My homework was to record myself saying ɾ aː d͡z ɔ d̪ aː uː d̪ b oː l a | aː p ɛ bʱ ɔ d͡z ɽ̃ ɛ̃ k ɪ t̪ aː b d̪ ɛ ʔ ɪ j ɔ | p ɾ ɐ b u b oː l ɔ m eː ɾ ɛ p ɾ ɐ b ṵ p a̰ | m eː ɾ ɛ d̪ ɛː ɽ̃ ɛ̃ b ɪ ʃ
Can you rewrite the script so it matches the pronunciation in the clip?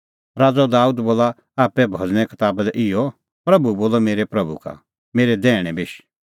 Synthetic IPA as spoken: ɾ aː d͡z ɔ d̪ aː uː d̪ b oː l a | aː p ɛ bʱ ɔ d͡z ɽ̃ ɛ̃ k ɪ t̪ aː b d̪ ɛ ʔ ɪ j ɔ | p ɾ ɐ b u b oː l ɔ m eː ɾ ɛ p ɾ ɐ b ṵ k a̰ | m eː ɾ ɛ d̪ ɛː ɽ̃ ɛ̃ b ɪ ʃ